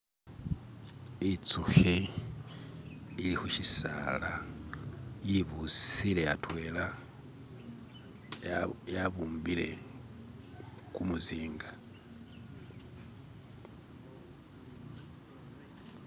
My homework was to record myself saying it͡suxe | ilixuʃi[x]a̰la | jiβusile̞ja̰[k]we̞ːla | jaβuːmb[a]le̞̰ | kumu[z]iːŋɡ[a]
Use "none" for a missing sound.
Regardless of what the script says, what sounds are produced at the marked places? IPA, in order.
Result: s, t, i, z, a

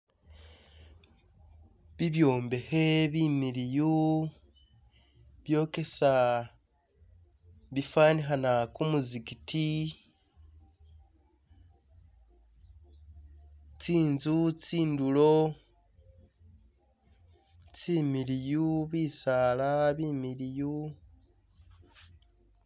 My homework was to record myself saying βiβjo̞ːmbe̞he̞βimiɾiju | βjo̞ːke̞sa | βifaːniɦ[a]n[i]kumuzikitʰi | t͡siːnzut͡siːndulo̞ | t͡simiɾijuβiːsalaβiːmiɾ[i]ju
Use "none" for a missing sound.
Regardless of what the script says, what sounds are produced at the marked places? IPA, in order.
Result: a, a, i

